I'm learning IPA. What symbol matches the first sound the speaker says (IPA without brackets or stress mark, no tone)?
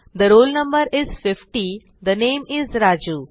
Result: d̪